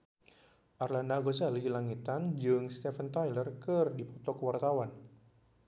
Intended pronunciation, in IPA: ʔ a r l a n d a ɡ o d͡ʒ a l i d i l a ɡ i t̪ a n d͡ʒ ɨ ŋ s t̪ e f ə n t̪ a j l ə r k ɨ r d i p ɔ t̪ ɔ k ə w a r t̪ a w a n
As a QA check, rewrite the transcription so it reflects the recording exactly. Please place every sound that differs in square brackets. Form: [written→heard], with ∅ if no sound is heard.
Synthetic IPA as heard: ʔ a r l a n d a ɡ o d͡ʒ a l i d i l a [ɡ→ŋ] i t̪ a n d͡ʒ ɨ ŋ s t̪ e f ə n t̪ a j l ə r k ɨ r d i p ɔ t̪ ɔ k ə w a r t̪ a w a n